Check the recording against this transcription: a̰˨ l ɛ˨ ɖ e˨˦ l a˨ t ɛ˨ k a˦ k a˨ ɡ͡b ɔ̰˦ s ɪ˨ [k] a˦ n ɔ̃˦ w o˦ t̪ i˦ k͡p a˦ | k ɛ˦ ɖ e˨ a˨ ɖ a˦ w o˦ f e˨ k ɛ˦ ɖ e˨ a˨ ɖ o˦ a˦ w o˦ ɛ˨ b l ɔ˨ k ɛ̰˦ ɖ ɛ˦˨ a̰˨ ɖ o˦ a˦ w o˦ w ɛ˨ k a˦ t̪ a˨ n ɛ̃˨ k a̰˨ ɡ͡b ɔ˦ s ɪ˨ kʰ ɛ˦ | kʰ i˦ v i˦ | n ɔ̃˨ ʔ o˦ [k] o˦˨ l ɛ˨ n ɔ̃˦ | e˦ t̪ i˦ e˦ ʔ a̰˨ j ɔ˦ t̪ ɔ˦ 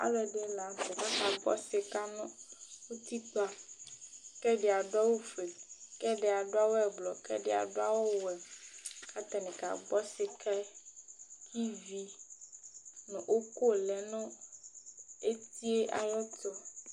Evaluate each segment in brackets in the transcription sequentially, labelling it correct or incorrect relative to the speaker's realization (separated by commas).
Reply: correct, correct